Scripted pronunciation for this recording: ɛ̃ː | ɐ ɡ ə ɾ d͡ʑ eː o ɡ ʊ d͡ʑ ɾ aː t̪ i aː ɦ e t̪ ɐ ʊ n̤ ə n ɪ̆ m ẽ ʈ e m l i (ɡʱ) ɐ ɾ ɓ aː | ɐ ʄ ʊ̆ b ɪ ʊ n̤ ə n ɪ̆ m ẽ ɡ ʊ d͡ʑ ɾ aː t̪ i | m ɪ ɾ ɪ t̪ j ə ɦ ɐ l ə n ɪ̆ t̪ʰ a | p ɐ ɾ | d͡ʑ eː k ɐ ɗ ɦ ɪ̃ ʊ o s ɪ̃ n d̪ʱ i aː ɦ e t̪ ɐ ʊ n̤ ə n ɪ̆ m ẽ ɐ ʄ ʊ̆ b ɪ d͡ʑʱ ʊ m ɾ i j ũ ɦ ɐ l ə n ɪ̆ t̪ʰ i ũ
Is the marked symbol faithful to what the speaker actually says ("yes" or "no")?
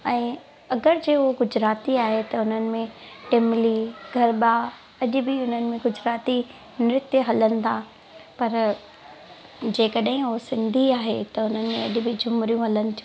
yes